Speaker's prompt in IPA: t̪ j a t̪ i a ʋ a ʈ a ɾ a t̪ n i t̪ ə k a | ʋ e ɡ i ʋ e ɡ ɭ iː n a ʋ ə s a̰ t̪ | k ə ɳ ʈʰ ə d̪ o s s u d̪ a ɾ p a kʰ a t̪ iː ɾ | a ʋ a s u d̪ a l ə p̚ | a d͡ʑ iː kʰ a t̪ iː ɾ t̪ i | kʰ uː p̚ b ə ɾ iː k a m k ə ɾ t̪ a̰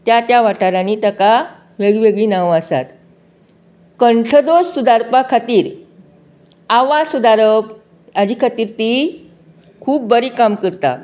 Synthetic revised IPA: t̪ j a t̪ j a ʋ a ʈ a ɾ a n i t̪ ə k a | ʋ e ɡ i ʋ e ɡ ɭ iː n a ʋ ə s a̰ t̪ | k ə ɳ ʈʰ ə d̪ o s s u d̪ a ɾ p a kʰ a t̪ iː ɾ | a ʋ a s u d̪ a ɾ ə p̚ | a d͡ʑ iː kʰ a t̪ iː ɾ t̪ i | kʰ uː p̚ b ə ɾ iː k a m k ə ɾ t̪ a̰

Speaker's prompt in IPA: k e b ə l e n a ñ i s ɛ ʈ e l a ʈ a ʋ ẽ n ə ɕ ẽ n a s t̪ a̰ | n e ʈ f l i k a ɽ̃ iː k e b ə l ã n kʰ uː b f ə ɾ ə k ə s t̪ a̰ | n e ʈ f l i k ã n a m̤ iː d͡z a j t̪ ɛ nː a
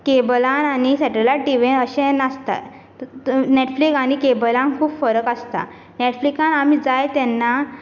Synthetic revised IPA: k e b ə l a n a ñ i s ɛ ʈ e l a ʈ i ʋ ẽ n ə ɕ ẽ n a s t̪ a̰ | n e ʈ f l i k a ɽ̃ i k e b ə l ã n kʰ uː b f ə ɾ ə k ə s t̪ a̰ | n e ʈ f l i k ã n a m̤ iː d͡z a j t̪ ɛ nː a

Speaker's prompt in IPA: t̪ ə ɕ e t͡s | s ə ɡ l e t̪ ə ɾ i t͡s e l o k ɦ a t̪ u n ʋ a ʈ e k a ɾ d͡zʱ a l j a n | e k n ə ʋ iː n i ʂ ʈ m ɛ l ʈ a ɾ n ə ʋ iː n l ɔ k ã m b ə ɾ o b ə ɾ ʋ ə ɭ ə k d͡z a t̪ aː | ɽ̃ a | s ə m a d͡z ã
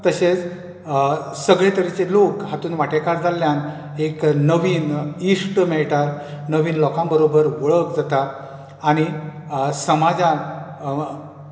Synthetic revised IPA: t̪ ə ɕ e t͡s | s ə ɡ ɭ e t̪ ə ɾ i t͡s e l o k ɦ a t̪ uː n ʋ a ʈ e k a ɾ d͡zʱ a l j a n | e k n ə ʋ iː n i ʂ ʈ m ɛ ɭ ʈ a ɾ n ə ʋ iː n l ɔ k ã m b ə ɾ o b ə ɾ ʋ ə ɭ ə k d͡z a t̪ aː | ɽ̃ i | s ə m a d͡z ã

